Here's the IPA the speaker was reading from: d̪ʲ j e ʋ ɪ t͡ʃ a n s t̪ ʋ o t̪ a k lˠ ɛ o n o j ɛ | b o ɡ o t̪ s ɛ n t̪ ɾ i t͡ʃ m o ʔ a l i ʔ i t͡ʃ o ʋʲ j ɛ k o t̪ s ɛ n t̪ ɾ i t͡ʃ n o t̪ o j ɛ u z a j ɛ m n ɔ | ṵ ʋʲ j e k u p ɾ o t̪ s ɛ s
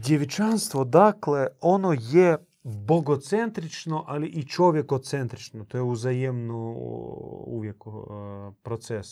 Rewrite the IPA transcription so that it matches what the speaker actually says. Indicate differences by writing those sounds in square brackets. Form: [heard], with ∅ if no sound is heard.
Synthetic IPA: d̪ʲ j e ʋ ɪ t͡ʃ a n s t̪ ʋ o [d̪] a k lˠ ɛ o n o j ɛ | b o ɡ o t̪ s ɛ n t̪ ɾ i t͡ʃ [n] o ʔ a l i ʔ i t͡ʃ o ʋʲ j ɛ k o t̪ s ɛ n t̪ ɾ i t͡ʃ n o t̪ o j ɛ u z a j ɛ m n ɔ | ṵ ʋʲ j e k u p ɾ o t̪ s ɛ s